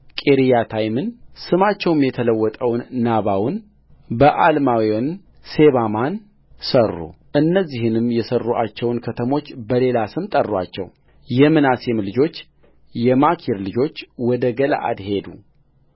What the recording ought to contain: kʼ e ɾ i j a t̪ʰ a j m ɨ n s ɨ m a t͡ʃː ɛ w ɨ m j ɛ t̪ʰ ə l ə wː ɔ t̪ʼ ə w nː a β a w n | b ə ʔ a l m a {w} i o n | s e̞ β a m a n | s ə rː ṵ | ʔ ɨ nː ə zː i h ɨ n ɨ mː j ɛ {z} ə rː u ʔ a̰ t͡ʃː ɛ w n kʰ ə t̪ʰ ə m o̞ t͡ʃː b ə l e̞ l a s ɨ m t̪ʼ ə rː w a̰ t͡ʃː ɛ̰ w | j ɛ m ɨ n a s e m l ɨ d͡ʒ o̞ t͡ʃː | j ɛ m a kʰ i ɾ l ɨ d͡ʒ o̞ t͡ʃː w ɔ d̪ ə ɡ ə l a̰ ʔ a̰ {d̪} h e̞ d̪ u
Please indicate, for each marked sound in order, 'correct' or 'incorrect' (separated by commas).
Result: correct, incorrect, correct